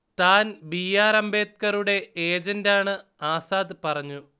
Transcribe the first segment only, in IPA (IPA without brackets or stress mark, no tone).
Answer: t̪